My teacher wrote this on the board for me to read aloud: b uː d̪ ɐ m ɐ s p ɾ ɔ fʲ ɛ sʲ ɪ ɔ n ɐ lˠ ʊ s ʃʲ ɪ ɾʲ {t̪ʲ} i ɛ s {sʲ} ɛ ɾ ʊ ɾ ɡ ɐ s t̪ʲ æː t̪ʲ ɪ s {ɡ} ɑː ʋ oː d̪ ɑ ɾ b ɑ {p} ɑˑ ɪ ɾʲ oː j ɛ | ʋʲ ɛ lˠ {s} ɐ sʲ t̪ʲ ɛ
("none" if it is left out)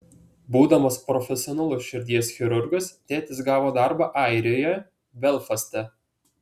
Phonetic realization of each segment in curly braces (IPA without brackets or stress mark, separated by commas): d̪ʲ, xʲ, ɡ, ʔ, f